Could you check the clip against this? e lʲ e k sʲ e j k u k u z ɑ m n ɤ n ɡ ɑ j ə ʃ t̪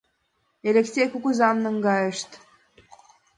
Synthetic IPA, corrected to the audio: e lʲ e k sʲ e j k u k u z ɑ m n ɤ ŋ ɡ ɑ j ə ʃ t̪